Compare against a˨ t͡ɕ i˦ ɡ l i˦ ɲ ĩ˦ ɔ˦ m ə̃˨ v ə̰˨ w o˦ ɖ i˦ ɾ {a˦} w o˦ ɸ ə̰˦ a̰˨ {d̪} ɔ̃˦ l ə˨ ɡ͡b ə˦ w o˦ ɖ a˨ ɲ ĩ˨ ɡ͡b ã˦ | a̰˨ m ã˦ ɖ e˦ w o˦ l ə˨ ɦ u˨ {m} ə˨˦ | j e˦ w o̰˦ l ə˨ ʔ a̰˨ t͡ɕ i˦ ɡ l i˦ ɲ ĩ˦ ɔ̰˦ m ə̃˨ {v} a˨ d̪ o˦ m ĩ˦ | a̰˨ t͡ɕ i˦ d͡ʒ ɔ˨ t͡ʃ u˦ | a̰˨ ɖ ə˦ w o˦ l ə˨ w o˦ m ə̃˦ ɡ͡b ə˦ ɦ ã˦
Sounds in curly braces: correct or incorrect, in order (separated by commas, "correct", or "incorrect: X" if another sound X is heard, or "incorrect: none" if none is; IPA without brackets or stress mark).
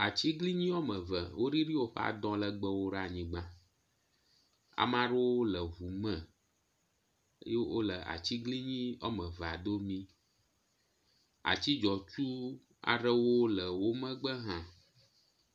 incorrect: i˦, correct, correct, correct